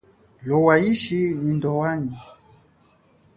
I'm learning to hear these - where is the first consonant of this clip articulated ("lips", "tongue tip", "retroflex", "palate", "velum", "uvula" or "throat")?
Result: tongue tip